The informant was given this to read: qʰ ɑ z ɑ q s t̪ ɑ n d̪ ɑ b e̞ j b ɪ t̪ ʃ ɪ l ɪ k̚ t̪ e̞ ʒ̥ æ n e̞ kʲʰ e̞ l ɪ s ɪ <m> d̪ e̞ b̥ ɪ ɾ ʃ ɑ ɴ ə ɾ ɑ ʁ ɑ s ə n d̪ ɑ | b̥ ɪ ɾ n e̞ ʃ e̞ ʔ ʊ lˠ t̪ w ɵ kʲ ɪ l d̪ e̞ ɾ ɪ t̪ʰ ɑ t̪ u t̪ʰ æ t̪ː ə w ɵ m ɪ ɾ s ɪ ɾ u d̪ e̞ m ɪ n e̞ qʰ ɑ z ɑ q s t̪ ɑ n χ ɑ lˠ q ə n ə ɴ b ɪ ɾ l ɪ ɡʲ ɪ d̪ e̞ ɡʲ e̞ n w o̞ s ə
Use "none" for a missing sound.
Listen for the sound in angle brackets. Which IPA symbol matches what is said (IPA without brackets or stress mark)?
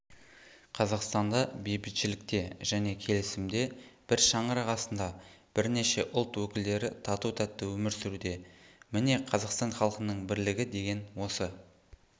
m